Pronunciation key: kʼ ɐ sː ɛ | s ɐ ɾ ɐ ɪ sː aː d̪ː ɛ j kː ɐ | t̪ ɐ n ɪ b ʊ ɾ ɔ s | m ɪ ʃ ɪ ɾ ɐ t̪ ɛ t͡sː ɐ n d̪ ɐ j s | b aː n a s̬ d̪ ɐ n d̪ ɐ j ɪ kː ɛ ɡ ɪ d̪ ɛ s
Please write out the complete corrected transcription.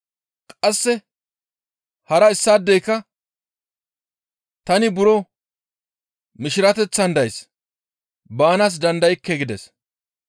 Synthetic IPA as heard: kʼ ɐ sː ɛ | h ɐ ɾ ɐ ɪ sː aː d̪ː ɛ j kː ɐ | t̪ ɐ n ɪ b ʊ ɾ ɔ | m ɪ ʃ ɪ ɾ ɐ t̪ ɛ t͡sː ɐ n d̪ ɐ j s | b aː n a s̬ d̪ ɐ n d̪ ɐ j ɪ kː ɛ ɡ ɪ d̪ ɛ s